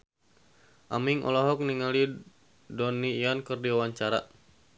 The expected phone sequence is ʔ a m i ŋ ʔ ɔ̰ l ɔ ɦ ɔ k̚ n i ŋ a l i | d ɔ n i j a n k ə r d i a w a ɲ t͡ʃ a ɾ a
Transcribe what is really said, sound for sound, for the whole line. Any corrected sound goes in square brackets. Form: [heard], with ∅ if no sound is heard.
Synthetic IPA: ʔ a m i ŋ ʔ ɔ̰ l ɔ ɦ ɔ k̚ n i ŋ a l i | d ɔ n i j a n k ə r d i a w a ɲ t͡ʃ a ɾ a